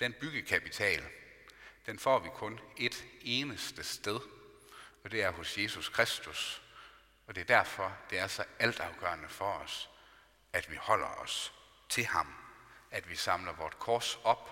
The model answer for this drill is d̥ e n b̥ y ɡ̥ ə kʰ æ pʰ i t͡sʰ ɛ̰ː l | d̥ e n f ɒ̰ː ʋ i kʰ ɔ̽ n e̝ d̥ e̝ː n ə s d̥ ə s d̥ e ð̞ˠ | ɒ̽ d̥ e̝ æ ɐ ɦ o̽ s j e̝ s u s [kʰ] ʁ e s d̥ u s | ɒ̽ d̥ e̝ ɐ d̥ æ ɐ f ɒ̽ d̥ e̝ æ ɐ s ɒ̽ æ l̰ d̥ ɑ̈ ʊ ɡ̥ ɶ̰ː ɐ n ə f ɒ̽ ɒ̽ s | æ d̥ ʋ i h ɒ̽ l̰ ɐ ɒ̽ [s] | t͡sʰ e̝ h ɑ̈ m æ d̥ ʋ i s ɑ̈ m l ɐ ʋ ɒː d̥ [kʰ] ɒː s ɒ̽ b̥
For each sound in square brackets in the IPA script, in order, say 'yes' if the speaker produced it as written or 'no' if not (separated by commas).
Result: yes, yes, yes